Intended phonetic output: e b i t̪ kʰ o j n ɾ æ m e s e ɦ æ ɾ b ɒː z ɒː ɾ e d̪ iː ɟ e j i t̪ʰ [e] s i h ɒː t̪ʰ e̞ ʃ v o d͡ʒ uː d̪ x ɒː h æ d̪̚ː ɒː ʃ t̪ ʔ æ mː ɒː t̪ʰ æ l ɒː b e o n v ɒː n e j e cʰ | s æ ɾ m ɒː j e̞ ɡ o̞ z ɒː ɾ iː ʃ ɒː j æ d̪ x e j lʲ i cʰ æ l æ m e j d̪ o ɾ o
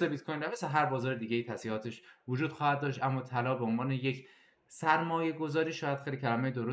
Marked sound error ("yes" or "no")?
yes